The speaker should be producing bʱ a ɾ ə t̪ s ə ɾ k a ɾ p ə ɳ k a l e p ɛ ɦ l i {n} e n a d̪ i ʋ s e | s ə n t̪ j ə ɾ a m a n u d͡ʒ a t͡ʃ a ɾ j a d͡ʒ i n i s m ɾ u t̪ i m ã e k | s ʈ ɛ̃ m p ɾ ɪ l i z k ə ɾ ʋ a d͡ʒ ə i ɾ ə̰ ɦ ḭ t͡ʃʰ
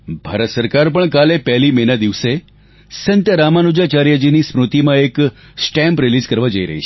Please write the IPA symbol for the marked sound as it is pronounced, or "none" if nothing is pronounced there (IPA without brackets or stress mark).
m